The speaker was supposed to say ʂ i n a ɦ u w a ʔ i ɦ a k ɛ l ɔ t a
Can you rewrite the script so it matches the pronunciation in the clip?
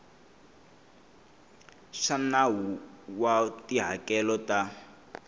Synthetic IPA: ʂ a n a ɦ u w a t i ɦ a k ɛ l ɔ t a